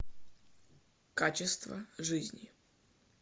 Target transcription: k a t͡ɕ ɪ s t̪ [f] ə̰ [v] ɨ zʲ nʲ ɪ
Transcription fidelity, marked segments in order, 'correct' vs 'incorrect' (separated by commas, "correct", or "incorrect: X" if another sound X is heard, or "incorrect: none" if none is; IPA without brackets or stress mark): incorrect: v, incorrect: ʐ